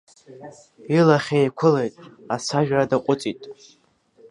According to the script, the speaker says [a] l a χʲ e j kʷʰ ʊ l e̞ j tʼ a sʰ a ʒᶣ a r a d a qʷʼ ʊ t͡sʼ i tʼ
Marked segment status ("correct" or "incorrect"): incorrect